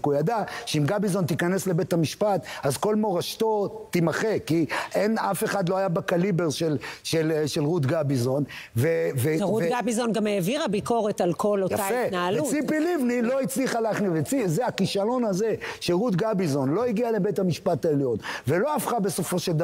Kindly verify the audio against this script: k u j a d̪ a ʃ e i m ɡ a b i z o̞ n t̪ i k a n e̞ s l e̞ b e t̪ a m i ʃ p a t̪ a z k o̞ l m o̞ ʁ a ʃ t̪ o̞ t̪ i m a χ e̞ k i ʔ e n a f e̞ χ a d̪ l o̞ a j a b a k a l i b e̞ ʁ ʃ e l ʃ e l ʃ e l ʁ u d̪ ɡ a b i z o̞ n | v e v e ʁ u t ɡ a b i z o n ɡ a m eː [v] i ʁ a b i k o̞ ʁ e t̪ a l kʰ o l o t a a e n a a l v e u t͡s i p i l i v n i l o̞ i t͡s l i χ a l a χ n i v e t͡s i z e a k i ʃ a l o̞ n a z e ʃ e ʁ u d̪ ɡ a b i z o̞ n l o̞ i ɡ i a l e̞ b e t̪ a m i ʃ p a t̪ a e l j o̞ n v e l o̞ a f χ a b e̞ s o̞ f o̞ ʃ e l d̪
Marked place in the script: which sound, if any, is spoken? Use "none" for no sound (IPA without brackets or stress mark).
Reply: v